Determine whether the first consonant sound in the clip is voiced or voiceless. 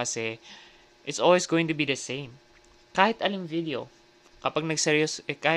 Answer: voiceless